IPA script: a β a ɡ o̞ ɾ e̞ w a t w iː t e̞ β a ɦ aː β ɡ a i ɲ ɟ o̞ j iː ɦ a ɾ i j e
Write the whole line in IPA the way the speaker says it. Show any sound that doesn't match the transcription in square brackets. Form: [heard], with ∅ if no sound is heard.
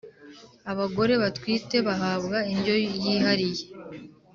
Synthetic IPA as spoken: a β a ɡ o̞ ɾ e̞ [β] a t w iː t e̞ β a ɦ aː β ɡ a i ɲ ɟ o̞ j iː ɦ a ɾ i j e